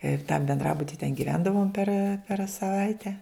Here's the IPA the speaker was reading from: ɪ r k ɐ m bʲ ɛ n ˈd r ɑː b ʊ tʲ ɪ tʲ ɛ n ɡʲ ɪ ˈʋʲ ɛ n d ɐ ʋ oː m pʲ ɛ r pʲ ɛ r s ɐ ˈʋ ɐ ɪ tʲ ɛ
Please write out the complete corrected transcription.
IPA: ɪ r t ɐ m bʲ ɛ n ˈd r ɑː b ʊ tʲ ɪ tʲ ɛ n ɡʲ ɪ ˈʋʲ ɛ n d ɐ ʋ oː m pʲ ɛ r pʲ ɛ r s ɐ ˈʋ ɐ ɪ tʲ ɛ